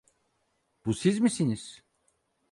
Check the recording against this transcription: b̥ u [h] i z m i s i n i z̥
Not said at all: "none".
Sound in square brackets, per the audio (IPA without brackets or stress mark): s